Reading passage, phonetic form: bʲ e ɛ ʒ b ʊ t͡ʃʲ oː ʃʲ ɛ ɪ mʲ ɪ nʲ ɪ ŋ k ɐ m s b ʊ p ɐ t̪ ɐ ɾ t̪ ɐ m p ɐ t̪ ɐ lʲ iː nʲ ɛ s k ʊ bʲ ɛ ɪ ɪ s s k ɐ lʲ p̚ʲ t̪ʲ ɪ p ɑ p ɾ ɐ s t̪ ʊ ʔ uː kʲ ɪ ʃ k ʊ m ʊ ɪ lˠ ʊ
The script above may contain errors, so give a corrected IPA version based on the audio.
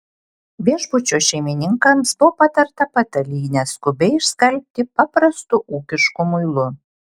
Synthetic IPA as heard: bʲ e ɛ ʒ b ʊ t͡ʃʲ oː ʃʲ ɛ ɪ mʲ ɪ nʲ ɪ ŋ k ɐ m s b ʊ p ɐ t̪ ɐ ɾ t̪ ɐ p ɐ t̪ ɐ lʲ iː nʲ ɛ s k ʊ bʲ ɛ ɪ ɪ ʃ s k ɐ lʲ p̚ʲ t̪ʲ ɪ p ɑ p ɾ ɐ s t̪ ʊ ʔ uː kʲ ɪ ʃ k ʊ m ʊ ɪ lˠ ʊ